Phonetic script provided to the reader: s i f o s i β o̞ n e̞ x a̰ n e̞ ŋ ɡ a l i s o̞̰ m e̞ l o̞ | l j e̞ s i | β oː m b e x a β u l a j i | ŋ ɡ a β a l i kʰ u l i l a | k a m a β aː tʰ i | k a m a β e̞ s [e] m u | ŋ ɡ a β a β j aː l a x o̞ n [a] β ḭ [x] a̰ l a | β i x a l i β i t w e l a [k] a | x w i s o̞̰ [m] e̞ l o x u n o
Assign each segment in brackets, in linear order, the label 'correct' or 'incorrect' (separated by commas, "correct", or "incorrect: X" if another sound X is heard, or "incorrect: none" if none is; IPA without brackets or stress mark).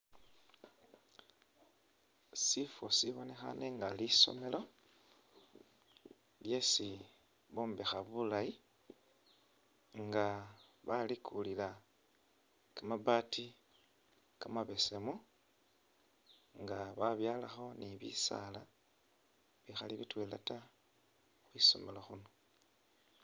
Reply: correct, incorrect: i, incorrect: s, incorrect: t, correct